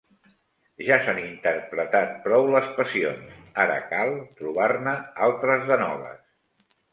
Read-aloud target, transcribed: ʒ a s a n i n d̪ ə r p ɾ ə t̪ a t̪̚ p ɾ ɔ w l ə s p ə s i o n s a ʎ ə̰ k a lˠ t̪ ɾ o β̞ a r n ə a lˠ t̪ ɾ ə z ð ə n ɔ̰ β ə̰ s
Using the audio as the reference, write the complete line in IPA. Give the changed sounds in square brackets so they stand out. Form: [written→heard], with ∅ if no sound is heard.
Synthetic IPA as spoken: ʒ a s a n i n [d̪→t̪] ə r p ɾ ə t̪ a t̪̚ p ɾ ɔ w l ə s p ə s i o n s a [ʎ→ɾ] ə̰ k a lˠ t̪ ɾ [o→u] β̞ a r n ə a lˠ t̪ ɾ ə z ð ə n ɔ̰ β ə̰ s